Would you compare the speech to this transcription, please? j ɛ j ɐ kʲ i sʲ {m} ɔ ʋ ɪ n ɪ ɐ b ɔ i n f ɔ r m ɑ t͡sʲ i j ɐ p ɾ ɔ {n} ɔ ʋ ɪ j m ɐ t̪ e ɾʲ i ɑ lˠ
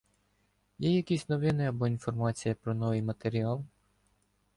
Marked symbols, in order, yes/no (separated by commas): no, yes